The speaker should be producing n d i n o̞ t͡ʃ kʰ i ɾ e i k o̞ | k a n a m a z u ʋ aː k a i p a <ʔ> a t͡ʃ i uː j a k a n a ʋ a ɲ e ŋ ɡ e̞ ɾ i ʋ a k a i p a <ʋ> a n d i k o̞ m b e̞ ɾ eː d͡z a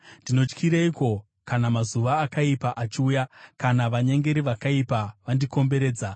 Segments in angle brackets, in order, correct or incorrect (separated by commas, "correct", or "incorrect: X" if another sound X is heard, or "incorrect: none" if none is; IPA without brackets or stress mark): correct, correct